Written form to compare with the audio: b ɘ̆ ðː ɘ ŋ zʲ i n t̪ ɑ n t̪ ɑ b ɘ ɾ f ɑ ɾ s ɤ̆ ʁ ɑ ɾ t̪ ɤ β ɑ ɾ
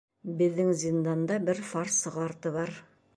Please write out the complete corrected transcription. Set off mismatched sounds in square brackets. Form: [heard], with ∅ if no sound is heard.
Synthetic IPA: b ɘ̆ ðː ɘ ŋ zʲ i n [d̪] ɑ n [d̪] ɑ b ɘ ɾ f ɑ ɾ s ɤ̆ ʁ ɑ ɾ t̪ ɤ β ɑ ɾ